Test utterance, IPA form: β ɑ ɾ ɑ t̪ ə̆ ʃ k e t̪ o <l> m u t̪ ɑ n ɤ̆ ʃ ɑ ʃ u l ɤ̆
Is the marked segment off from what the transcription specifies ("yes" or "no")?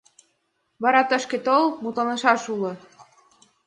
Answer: no